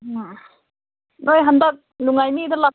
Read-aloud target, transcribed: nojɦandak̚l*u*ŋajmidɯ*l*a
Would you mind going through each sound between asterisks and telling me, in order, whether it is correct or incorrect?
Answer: correct, correct

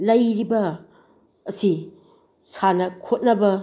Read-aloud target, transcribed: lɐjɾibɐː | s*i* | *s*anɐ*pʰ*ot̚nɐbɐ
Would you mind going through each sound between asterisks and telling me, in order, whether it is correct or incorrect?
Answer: correct, correct, incorrect: kʰ

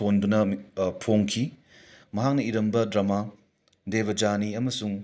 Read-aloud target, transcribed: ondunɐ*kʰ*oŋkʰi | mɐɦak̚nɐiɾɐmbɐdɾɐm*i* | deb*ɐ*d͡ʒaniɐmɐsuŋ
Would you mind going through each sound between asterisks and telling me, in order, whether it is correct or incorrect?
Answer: incorrect: pʰ, incorrect: a, correct

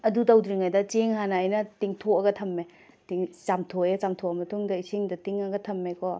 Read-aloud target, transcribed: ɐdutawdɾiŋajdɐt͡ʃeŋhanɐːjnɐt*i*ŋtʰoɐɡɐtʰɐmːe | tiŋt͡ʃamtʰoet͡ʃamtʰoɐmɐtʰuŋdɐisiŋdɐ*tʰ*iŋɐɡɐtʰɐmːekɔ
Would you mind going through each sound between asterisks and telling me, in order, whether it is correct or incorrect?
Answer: correct, incorrect: t

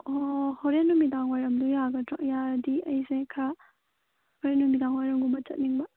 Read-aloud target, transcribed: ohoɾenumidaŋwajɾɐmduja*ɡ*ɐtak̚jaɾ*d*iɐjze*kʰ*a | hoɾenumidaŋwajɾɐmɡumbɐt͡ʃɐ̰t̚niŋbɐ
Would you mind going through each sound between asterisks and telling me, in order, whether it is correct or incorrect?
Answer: correct, correct, correct

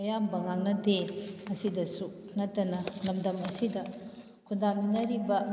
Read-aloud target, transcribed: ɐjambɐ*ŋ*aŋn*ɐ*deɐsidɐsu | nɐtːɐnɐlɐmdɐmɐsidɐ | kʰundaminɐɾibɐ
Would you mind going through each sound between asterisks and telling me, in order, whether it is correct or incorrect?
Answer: correct, correct

